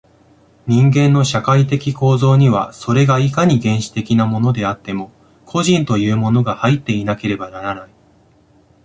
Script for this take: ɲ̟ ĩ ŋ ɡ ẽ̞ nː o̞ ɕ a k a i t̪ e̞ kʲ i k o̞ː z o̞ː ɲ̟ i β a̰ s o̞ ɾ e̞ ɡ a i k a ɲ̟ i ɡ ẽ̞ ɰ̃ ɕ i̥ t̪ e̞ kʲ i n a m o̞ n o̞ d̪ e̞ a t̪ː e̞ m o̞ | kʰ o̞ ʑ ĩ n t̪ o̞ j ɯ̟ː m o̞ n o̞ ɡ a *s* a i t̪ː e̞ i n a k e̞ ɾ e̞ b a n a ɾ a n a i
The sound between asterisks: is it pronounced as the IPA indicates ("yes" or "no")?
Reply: no